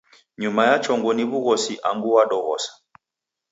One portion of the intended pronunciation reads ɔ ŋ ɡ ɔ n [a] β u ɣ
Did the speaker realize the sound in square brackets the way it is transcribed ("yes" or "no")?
no